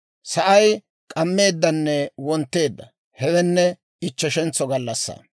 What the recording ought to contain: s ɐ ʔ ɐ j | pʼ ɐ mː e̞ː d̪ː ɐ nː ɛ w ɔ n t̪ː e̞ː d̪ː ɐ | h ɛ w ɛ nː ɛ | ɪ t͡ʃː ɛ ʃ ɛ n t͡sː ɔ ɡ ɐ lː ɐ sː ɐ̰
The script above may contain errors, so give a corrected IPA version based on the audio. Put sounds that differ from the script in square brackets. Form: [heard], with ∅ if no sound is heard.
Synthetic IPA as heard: s ɐ ʔ ɐ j | [kʼ] ɐ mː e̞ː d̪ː ɐ nː ɛ w ɔ n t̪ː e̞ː d̪ː ɐ | h ɛ w ɛ nː ɛ | ɪ t͡ʃː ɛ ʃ ɛ n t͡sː ɔ ɡ ɐ lː ɐ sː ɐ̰